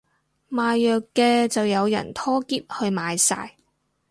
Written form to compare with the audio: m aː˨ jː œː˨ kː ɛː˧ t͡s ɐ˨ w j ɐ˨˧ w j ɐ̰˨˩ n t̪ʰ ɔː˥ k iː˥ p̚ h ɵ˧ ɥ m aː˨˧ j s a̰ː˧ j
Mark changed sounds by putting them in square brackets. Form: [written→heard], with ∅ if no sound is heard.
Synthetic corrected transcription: m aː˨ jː œː˨ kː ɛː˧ t͡s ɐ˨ w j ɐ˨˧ w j ɐ̰˨˩ n t̪ʰ ɔː˥ k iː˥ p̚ h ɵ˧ ɥ m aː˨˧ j s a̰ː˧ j